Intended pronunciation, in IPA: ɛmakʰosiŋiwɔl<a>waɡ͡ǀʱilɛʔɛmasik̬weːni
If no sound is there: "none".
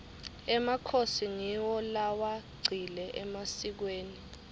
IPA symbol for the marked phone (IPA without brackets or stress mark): a